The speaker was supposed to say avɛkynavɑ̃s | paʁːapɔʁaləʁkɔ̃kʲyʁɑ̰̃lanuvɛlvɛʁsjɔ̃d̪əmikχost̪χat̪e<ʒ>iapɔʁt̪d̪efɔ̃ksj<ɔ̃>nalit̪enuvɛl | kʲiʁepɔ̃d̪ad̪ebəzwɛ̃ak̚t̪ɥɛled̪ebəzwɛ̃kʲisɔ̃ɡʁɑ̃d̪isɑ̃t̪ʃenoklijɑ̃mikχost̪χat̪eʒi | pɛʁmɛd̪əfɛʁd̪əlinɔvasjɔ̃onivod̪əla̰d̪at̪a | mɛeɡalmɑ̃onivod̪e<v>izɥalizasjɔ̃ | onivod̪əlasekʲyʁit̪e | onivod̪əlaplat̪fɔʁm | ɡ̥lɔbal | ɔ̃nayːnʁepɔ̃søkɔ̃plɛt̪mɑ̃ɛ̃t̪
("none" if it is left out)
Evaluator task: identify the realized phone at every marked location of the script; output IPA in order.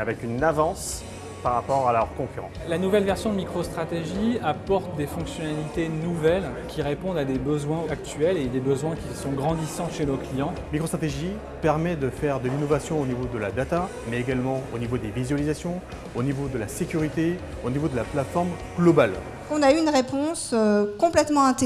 ʒ, ɔ, v

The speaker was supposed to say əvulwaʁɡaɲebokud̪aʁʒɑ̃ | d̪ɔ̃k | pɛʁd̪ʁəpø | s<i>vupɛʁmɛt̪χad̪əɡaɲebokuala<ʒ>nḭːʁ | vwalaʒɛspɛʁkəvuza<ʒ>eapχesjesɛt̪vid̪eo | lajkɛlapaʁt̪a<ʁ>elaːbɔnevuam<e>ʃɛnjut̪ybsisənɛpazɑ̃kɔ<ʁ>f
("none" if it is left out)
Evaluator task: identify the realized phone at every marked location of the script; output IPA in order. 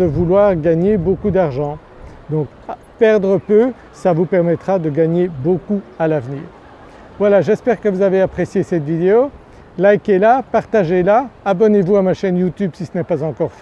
a, v, v, ʒ, a, ʁ

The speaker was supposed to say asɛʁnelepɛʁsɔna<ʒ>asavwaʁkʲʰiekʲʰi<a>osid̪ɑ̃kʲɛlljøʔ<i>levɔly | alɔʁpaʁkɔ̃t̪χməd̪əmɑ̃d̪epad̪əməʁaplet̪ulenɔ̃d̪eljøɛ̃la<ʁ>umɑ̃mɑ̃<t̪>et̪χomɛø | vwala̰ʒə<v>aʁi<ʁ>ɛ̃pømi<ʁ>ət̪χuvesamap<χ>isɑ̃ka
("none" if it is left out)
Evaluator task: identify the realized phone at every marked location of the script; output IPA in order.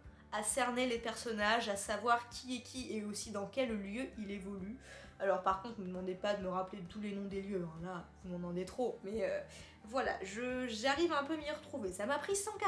ʒ, e, i, v, d̪, ʒ, v, ʁ, χ

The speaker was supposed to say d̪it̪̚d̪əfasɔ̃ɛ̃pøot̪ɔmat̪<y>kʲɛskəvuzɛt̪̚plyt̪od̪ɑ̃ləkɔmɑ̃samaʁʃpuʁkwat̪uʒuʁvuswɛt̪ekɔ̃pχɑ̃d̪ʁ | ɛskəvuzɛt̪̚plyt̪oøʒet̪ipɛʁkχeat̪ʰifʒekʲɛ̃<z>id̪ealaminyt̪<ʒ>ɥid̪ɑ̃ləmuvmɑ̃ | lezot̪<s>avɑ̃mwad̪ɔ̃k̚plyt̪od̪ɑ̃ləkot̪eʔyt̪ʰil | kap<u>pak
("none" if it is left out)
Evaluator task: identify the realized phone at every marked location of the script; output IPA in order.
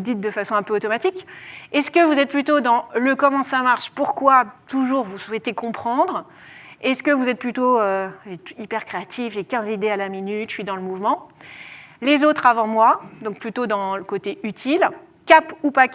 i, z, ʃ, χ, u

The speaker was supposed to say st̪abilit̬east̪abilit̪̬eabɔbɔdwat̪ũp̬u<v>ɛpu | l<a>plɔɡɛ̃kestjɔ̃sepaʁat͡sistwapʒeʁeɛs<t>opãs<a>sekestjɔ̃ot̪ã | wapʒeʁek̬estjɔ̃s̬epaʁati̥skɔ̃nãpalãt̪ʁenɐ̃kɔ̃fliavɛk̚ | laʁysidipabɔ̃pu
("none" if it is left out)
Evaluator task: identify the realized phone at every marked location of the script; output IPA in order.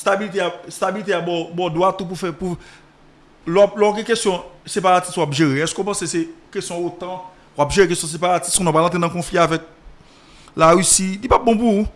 f, a, k, e

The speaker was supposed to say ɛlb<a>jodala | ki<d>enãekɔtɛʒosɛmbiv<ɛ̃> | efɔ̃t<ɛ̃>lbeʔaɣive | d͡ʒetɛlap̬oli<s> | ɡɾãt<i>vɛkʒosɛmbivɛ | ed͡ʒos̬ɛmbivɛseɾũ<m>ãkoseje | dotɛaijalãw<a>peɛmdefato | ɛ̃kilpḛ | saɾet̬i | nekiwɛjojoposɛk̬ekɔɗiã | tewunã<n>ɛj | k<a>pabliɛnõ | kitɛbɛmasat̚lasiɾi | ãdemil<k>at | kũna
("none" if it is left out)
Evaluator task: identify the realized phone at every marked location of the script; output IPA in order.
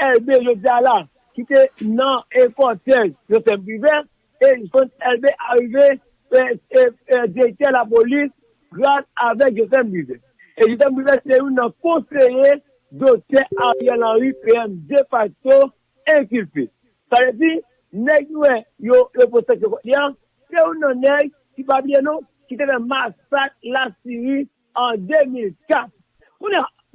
e, t, ɛ, ɛ, s, a, n, i, n, i, k

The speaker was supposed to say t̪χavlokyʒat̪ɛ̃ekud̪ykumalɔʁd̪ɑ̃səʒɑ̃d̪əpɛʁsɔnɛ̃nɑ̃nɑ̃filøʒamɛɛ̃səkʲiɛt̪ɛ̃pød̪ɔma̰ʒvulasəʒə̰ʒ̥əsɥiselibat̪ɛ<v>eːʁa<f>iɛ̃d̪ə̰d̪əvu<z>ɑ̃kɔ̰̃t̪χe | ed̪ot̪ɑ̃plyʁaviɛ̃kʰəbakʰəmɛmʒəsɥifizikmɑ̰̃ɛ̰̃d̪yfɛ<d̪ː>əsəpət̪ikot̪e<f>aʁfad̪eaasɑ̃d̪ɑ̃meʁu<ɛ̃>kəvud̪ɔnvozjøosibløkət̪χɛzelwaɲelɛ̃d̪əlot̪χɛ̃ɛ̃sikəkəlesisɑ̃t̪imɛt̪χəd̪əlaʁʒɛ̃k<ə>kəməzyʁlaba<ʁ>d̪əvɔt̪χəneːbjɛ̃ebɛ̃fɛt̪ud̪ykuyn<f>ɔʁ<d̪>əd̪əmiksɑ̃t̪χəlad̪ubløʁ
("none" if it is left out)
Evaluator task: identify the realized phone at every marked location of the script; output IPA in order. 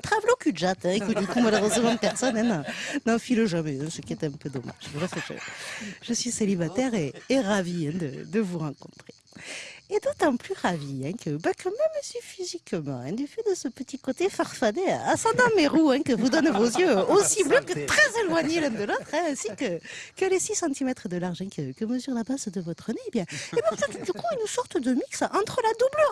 ʁ, v, ʁ, d̪, f, ɛ̃, ə, z, s, t̪

